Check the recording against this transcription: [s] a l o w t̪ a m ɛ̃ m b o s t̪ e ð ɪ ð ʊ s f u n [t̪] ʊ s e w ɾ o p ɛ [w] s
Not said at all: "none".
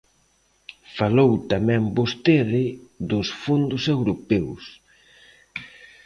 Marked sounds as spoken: f, d̪, w

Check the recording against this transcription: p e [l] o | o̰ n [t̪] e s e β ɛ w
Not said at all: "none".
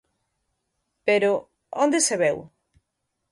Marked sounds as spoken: ɾ, d̪

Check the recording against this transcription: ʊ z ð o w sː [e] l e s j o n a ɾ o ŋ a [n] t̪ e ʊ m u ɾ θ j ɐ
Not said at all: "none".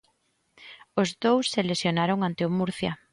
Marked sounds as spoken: e, n

